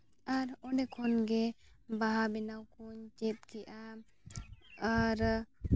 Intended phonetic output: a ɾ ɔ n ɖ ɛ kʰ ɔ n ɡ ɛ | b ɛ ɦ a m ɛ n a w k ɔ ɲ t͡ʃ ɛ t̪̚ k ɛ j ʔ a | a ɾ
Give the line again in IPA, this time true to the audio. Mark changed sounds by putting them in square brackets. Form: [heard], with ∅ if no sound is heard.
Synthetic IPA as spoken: a ɾ ɔ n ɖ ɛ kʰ ɔ n ɡ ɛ | b [a] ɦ a [b] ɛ n a w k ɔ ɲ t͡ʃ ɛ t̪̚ k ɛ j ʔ a | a ɾ